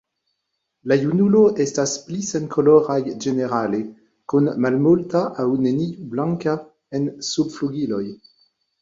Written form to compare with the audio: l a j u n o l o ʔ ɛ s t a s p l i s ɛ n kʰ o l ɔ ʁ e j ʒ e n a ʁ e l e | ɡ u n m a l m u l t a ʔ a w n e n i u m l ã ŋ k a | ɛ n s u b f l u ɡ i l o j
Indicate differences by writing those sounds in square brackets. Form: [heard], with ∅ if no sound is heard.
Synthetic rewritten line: l a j u n [u] l o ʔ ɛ s t a s p l i s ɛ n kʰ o l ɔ ʁ [a] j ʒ e n [e] ʁ [a] l e | [k] u n m a l m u l t a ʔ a w n e n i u [b] l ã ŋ k a | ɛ n s u b f l u ɡ i l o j